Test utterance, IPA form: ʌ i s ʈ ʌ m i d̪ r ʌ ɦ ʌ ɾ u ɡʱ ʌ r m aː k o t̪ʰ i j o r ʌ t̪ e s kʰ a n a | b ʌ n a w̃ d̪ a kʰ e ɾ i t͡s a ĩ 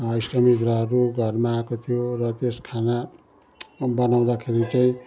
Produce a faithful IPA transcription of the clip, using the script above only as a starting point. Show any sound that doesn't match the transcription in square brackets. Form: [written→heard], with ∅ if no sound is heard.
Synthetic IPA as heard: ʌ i s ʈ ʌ m i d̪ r ʌ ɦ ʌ ɾ u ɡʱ ʌ r m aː k o t̪ʰ i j o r ʌ t̪ e s kʰ a n a | b ʌ n a w̃ d̪ a kʰ e ɾ i t͡s a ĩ